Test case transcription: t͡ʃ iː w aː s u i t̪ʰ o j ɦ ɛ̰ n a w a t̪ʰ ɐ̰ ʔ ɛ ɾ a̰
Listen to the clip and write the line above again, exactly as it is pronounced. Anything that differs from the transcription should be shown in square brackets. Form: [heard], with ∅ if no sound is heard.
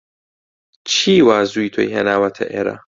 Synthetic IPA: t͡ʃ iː w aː [z] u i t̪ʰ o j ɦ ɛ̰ n a w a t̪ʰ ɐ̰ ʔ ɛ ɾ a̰